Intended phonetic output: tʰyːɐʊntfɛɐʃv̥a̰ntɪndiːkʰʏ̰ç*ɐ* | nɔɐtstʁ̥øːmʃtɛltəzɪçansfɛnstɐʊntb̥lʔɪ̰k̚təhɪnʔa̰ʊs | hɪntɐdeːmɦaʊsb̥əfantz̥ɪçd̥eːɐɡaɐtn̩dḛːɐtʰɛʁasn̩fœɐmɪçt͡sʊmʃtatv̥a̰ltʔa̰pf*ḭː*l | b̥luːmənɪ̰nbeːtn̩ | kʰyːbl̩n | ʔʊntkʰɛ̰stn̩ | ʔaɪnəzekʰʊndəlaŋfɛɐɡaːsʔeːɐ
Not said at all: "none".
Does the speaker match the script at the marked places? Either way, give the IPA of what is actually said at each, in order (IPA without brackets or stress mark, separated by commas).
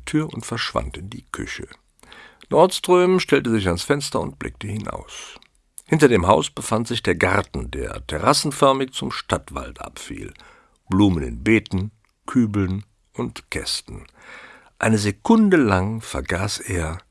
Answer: ə, ḭː